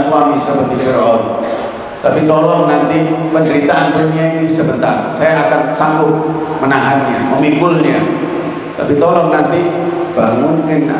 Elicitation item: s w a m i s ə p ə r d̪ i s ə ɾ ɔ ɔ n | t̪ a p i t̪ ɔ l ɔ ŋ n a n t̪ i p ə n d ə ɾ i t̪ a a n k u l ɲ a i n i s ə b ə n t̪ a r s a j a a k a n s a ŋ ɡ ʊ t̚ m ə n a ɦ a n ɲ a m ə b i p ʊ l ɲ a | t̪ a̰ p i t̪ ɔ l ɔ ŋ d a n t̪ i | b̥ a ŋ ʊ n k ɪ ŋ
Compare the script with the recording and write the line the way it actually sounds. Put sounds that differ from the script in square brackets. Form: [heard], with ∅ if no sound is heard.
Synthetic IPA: s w a m i s ə p ə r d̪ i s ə ɾ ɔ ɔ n | t̪ a p i t̪ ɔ l ɔ ŋ n a n t̪ i p ə n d ə ɾ i t̪ a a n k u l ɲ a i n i s ə b ə n t̪ a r s a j a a k a n s a ŋ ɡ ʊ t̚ m ə n a ɦ a n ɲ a m ə [m] i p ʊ l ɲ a | t̪ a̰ p i t̪ ɔ l ɔ ŋ [n] a n t̪ i | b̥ a ŋ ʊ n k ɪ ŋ